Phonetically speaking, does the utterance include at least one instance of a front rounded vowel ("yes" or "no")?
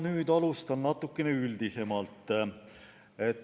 yes